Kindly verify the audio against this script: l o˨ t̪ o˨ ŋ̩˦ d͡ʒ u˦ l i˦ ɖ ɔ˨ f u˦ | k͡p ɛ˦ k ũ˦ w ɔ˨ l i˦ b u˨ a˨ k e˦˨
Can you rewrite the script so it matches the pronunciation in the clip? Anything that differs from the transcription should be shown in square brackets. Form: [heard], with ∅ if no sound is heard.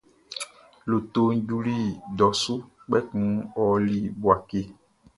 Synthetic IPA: l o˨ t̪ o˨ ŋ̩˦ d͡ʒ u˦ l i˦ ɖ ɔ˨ [s] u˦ | k͡p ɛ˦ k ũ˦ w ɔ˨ l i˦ b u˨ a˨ k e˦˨

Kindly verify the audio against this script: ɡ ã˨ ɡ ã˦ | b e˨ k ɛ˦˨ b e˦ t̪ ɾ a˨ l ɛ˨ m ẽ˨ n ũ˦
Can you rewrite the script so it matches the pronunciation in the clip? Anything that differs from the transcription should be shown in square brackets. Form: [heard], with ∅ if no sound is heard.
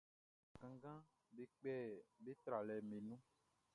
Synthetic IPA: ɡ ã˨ ɡ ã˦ | b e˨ [k͡p] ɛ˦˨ b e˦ t̪ ɾ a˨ l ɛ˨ m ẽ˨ n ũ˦

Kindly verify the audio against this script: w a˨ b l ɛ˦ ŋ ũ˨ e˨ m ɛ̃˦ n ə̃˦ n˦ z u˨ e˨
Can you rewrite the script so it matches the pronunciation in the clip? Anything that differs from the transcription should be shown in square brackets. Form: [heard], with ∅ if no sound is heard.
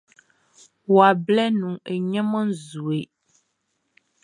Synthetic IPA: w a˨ b l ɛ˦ [n] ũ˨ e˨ [ɲ] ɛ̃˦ [m] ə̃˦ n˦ z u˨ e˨

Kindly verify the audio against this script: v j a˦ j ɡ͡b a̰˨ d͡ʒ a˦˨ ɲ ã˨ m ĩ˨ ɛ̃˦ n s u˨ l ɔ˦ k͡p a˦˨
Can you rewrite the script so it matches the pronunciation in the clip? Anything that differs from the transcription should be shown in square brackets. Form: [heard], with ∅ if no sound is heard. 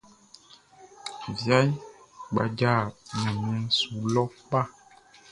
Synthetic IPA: v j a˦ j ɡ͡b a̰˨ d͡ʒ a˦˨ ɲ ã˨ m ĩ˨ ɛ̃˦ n s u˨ l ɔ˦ k͡p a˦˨

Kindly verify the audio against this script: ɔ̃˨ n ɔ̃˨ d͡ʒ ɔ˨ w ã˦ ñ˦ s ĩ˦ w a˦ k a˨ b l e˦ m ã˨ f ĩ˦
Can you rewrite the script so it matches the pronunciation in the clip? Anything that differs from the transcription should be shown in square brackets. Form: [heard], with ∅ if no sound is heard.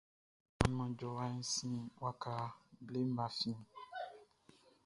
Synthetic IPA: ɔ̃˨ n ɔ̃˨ d͡ʒ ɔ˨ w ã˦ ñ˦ s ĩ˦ w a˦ k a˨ b l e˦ m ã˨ f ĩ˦

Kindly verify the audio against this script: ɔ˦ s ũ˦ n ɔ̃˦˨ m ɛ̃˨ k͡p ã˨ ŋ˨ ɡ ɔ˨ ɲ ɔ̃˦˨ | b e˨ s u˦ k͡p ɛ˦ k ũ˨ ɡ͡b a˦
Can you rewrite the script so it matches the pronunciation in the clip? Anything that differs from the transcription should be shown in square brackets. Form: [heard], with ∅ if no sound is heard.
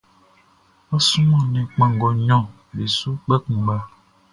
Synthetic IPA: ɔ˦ s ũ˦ [m] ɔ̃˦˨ [n] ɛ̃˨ k͡p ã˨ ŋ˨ ɡ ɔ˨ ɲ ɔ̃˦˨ | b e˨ s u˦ k͡p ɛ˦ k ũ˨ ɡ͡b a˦

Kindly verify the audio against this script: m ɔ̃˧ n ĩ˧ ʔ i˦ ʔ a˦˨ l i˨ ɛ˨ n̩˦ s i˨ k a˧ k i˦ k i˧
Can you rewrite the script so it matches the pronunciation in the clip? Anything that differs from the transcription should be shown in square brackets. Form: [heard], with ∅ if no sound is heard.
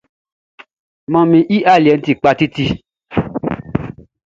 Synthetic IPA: m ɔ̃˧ [m] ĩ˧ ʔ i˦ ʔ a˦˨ l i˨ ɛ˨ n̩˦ [t] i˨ [k͡p] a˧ [t] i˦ [t] i˧

